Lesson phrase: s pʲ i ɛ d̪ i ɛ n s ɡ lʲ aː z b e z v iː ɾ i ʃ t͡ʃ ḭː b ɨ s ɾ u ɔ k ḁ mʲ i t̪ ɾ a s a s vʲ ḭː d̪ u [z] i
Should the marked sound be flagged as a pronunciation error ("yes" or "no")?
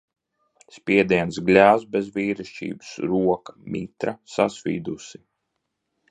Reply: yes